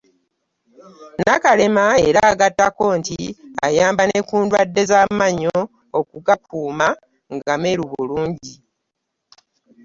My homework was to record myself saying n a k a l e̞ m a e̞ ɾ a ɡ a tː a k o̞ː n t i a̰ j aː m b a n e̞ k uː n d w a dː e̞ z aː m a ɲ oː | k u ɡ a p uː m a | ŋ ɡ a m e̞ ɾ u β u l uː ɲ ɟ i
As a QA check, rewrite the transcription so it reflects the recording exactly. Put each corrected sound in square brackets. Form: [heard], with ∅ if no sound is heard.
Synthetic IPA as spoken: n a k a l e̞ m a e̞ ɾ a ɡ a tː a k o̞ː n t i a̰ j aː m b a n e̞ k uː n d w a dː e̞ z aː m a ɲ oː | k u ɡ a p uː m a | ŋ ɡ a m e̞ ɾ u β u l uː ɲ ɟ i